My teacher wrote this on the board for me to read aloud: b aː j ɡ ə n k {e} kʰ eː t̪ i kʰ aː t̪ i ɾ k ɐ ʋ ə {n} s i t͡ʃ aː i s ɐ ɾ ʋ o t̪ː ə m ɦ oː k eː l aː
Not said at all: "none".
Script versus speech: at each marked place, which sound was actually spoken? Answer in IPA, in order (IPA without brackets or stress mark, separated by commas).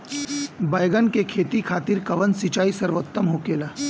e, n